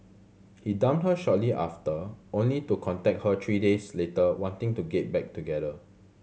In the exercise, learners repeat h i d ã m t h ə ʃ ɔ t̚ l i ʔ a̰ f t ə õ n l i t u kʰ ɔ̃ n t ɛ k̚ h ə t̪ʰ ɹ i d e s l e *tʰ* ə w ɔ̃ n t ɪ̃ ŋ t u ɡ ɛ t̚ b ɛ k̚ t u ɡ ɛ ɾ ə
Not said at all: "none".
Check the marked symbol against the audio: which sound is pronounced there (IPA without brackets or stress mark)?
t